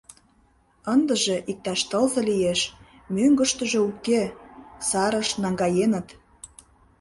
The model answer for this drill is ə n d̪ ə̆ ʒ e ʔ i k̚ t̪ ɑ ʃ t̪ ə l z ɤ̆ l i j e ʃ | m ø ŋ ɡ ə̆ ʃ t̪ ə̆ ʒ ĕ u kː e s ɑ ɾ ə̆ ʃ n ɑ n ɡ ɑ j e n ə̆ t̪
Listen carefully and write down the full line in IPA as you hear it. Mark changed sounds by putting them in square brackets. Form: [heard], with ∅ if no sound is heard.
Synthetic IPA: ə n d̪ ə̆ ʒ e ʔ i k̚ t̪ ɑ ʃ t̪ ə l z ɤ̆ l i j e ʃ | m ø ŋ ɡ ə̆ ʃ t̪ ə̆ ʒ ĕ u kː e s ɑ ɾ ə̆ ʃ n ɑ [ŋ] ɡ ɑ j e n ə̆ t̪